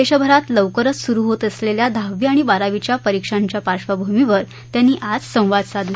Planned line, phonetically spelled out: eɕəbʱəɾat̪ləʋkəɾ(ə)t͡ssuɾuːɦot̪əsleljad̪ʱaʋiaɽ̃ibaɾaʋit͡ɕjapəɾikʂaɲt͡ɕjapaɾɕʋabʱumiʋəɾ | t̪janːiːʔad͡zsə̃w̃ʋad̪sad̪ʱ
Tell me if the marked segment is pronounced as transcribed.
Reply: yes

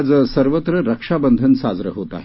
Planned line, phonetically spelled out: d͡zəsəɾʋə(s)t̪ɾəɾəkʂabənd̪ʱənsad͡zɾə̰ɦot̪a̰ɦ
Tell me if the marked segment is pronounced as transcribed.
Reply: no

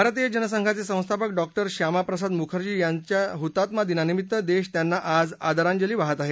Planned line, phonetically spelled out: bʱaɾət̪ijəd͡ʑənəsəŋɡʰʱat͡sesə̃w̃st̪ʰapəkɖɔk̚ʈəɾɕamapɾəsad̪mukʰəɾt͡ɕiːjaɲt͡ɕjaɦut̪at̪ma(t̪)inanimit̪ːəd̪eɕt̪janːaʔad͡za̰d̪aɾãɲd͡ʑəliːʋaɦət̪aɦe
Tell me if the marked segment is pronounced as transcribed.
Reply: no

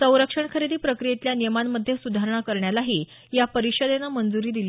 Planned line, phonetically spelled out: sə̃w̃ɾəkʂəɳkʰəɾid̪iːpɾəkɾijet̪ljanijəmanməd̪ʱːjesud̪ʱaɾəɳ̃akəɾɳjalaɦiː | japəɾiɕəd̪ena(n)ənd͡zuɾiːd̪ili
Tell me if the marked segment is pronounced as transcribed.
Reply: no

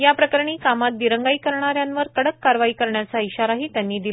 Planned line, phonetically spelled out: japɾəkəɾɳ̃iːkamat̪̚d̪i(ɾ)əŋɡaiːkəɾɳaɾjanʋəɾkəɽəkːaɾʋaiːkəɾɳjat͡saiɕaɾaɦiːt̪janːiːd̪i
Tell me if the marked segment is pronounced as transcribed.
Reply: yes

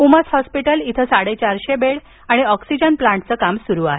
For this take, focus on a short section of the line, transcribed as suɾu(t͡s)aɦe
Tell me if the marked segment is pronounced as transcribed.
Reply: no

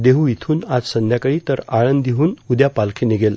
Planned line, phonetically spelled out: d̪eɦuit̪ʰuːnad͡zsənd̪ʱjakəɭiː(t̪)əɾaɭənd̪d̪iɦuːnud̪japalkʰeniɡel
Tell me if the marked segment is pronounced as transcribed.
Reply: yes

